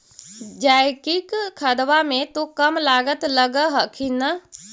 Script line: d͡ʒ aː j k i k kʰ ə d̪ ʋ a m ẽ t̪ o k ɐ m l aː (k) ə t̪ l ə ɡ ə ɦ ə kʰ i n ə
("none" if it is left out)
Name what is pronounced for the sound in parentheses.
ɡ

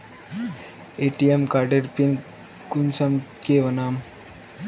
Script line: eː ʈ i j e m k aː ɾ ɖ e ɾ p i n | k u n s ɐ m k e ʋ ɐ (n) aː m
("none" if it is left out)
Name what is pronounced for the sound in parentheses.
n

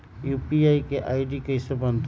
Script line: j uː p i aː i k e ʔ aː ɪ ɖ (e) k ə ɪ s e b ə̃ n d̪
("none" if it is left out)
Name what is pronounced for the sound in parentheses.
i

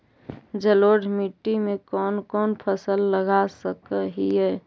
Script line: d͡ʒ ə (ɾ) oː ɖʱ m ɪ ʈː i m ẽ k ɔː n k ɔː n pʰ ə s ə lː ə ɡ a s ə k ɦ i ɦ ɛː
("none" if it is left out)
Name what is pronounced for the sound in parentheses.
l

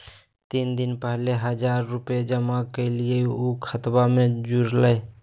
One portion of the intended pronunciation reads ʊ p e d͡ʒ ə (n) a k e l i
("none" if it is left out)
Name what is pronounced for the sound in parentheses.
m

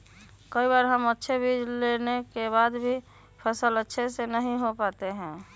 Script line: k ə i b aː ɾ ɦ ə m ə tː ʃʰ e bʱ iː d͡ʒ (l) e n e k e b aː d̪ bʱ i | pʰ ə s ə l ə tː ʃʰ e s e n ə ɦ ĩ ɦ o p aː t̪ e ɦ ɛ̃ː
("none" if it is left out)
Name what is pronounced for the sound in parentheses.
l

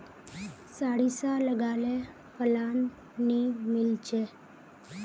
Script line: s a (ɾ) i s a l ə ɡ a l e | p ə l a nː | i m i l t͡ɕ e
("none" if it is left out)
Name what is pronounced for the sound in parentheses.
ɽ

